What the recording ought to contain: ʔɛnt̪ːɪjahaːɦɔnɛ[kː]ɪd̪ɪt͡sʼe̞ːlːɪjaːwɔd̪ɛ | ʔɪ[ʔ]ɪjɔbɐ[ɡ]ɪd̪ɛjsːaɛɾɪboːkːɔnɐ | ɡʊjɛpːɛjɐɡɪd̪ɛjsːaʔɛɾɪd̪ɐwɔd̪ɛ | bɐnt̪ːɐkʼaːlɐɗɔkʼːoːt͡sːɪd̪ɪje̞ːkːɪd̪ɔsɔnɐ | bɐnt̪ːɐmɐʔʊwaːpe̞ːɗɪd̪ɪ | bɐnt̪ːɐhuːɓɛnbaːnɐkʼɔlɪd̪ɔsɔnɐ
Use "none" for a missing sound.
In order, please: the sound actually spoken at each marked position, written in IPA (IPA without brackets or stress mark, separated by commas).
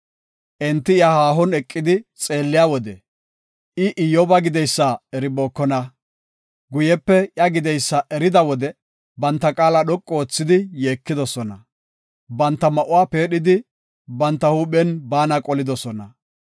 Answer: kʼː, ʔ, ɡ